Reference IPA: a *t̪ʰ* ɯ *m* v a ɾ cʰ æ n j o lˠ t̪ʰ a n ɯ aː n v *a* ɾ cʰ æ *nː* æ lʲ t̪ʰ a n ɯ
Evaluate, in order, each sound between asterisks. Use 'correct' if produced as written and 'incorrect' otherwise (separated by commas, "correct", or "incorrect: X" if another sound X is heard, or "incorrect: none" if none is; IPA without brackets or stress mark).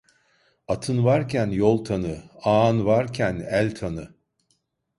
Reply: correct, incorrect: n, correct, incorrect: n